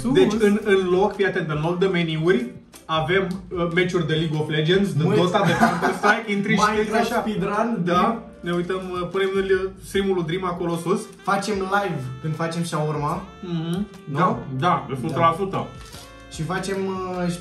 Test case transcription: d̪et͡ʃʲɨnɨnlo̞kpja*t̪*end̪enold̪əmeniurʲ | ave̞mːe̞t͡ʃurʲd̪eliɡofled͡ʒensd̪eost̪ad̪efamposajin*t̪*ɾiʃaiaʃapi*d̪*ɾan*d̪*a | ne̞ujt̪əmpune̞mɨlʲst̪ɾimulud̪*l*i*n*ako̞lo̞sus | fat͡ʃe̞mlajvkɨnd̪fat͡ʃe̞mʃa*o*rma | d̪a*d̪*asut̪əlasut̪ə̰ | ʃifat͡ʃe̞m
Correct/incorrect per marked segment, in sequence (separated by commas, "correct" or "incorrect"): correct, correct, correct, correct, incorrect, incorrect, incorrect, correct